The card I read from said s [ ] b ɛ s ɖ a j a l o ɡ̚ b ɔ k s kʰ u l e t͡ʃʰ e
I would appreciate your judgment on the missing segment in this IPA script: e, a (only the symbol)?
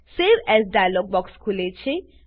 e